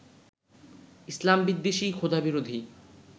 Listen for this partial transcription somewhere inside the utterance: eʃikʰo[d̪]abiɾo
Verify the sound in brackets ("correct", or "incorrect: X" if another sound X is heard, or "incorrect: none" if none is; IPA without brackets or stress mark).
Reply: correct